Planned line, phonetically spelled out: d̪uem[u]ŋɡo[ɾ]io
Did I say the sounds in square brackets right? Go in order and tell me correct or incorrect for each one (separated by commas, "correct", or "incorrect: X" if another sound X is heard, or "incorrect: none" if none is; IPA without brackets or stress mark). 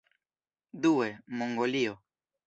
incorrect: o, incorrect: l